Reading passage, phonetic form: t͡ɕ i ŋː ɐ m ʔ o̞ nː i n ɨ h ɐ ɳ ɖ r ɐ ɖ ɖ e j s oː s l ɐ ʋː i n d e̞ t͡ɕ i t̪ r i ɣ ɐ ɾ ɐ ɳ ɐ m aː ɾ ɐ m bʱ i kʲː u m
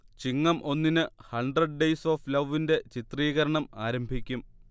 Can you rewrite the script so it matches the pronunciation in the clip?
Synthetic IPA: t͡ɕ i ŋː ɐ m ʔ o̞ nː i n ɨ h ɐ ɳ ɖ r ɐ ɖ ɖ e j s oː f l ɐ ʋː i n d e̞ t͡ɕ i t̪ r iː ɣ ɐ ɾ ɐ ɳ ɐ m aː ɾ ɐ m bʱ i kʲː u m